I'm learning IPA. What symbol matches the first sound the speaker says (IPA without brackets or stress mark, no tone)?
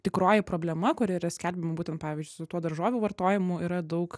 t̪ʲ